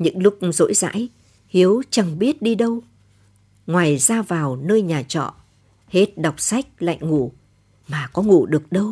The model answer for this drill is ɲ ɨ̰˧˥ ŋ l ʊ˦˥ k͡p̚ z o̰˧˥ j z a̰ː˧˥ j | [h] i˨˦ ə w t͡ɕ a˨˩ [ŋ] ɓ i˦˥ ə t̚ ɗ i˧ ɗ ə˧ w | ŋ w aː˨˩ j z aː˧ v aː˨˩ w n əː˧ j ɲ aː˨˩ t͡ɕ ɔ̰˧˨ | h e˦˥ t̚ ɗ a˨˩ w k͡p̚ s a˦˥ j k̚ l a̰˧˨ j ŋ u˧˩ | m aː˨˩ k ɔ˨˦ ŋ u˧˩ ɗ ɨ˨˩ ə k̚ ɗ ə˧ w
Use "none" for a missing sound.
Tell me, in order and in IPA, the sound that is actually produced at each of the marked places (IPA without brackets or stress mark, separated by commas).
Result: h, ŋ